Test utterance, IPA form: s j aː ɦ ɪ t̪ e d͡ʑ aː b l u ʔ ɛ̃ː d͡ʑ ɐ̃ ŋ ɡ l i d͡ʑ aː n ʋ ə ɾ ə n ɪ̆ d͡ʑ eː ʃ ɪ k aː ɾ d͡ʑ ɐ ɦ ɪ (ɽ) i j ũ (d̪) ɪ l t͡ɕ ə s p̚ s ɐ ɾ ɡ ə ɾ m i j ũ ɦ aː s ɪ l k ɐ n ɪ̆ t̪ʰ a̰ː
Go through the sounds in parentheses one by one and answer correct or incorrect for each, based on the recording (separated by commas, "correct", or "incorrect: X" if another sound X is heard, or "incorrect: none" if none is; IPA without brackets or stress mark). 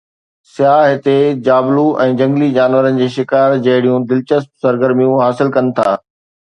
correct, correct